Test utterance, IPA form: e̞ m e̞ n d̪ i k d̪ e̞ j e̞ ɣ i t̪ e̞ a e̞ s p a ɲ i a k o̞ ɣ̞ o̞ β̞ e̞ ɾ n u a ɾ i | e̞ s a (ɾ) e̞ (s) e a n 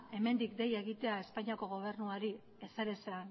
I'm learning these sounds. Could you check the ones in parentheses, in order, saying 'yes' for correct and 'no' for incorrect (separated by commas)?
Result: yes, yes